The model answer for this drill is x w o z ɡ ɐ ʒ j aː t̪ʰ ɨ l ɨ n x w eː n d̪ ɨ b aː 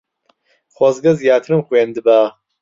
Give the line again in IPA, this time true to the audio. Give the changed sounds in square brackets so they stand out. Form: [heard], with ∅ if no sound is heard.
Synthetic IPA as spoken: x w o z ɡ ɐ [z] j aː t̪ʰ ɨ [ɾ] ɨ [m] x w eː n d̪ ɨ b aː